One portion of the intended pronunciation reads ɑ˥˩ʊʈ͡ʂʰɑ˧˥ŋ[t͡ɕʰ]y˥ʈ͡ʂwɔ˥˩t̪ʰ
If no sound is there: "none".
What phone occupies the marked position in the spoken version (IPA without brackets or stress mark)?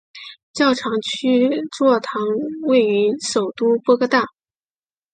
t͡ɕʰ